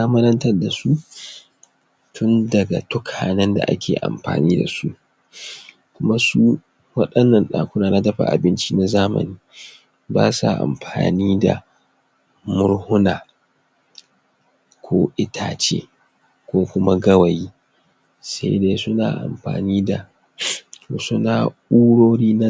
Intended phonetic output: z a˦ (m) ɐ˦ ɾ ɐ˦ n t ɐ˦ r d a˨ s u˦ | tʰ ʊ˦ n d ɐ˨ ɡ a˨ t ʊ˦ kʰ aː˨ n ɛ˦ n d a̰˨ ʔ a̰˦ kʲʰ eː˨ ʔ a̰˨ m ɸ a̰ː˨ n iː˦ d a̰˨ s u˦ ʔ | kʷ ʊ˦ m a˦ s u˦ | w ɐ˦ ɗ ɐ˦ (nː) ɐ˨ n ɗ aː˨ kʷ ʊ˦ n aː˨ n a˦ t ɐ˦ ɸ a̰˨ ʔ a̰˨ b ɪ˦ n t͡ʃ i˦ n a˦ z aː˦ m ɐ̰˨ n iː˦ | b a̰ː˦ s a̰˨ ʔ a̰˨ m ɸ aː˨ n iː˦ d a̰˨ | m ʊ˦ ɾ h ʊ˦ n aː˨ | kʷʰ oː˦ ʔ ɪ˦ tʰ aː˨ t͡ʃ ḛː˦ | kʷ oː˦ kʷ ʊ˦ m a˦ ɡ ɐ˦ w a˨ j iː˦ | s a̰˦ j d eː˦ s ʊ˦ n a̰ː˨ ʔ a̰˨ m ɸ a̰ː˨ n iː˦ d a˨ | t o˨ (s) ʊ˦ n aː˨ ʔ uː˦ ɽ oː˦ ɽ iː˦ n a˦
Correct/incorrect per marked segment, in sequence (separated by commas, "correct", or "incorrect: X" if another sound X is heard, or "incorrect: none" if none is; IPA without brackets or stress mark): correct, correct, correct